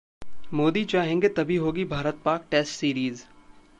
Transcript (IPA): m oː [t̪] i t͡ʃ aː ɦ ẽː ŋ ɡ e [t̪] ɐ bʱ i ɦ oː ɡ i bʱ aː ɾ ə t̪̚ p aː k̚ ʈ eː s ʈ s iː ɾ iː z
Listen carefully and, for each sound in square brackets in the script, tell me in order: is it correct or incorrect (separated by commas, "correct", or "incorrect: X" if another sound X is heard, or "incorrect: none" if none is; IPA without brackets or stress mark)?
incorrect: d̪, correct